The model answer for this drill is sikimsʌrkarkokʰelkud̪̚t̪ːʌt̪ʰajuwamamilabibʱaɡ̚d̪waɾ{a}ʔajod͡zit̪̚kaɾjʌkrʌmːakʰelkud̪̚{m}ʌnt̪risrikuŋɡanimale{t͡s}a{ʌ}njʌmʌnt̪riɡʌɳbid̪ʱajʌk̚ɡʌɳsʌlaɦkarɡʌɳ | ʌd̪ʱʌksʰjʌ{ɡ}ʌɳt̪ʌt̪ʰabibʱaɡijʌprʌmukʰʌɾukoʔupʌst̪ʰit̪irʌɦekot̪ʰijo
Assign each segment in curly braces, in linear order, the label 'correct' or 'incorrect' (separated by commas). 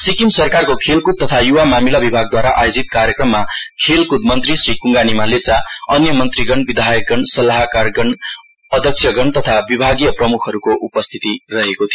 correct, correct, correct, correct, correct